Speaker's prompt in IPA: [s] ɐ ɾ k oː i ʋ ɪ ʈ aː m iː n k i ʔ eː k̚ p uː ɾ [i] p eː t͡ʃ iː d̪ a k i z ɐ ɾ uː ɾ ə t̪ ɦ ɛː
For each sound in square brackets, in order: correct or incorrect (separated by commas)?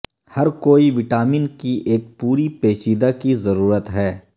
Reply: incorrect, correct